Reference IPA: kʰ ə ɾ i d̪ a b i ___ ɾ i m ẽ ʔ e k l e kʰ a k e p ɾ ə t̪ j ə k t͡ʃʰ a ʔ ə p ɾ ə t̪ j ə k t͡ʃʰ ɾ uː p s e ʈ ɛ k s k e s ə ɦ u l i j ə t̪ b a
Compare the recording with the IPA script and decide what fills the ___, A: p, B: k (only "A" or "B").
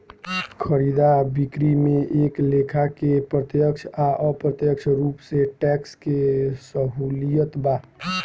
B